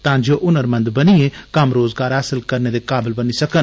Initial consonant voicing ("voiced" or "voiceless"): voiceless